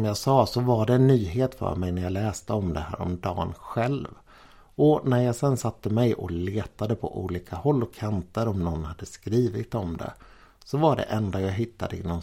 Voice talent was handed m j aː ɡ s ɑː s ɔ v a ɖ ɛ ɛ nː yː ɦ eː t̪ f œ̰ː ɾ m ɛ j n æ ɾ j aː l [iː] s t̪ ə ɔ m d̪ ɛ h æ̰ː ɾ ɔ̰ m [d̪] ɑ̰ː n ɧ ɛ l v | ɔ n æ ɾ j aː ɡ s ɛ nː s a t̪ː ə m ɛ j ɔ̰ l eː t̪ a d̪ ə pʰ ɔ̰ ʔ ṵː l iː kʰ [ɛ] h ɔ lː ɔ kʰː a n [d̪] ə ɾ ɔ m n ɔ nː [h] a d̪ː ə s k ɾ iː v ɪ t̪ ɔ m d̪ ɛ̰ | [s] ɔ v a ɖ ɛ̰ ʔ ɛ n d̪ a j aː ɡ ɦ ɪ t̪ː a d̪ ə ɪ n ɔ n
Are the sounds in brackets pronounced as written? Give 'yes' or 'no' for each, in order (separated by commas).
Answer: no, yes, no, no, yes, yes